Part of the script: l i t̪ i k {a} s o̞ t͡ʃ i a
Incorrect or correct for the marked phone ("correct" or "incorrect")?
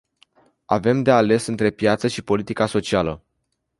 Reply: correct